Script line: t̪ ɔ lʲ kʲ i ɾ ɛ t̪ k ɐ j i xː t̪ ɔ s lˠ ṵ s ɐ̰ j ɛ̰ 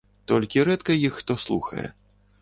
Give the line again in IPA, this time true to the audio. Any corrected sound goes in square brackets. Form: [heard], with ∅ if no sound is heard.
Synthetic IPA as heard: t̪ ɔ lʲ kʲ i ɾ ɛ t̪ k ɐ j i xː t̪ ɔ s lˠ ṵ [x] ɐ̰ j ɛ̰